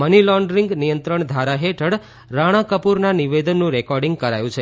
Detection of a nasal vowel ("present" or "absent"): present